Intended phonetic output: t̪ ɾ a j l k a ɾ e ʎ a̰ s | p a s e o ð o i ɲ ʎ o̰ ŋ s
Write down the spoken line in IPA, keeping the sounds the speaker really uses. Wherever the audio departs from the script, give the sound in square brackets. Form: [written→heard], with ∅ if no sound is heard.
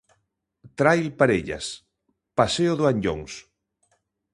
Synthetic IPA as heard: t̪ ɾ a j l [k→p] a ɾ e ʎ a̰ s | p a s e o ð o [i→a] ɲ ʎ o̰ ŋ s